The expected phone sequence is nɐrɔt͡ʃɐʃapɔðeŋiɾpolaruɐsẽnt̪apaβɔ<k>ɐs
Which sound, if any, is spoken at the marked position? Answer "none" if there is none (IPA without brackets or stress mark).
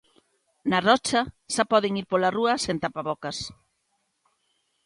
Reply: k